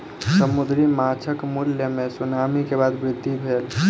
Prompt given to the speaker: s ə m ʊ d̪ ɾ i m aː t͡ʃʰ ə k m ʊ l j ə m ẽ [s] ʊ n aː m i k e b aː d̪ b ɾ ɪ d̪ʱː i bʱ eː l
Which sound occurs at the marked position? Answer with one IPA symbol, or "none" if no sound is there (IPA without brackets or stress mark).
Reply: s